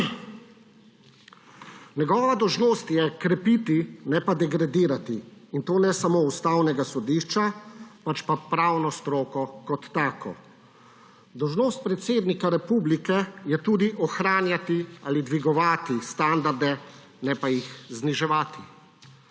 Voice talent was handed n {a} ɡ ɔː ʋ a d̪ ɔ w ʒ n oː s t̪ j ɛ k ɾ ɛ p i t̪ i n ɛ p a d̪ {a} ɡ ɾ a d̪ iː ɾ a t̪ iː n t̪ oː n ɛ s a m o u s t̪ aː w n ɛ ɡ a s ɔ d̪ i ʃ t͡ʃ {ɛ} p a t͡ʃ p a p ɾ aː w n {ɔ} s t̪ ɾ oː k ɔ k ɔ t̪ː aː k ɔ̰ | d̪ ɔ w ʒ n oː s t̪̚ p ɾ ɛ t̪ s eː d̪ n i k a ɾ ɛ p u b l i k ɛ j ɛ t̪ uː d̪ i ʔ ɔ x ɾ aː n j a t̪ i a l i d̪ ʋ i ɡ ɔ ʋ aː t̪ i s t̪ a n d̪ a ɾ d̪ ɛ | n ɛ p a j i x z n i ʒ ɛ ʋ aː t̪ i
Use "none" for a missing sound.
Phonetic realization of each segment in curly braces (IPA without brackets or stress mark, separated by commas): ɛ, ɛ, a, ɔ